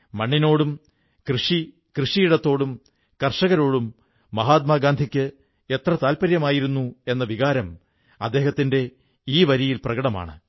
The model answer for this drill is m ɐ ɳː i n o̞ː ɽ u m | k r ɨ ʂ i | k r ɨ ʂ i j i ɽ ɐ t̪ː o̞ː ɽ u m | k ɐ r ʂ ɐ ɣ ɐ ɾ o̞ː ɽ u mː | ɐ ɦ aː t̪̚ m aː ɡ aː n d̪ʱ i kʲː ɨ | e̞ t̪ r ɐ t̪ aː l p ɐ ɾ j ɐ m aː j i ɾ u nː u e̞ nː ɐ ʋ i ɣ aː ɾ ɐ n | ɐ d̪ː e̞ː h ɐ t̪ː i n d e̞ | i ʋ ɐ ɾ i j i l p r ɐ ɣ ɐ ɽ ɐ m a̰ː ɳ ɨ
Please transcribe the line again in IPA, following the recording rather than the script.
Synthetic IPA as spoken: m ɐ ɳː i n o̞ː ɽ u m | k r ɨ ʂ i | k r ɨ ʂ i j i ɽ ɐ t̪ː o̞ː ɽ u m | k ɐ r ʂ ɐ ɣ ɐ ɾ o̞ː ɽ u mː | ɐ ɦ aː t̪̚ m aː ɡ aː n d̪ʱ i kʲː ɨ | e̞ t̪ r ɐ t̪ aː l p ɐ ɾ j ɐ m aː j i ɾ u nː u e̞ nː ɐ ʋ i ɣ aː ɾ ɐ m | ɐ d̪ː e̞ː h ɐ t̪ː i n d e̞ | iː ʋ ɐ ɾ i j i l p r ɐ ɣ ɐ ɽ ɐ m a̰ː ɳ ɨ